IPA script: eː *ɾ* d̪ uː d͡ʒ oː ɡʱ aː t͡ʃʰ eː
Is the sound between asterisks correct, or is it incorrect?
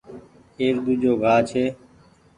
correct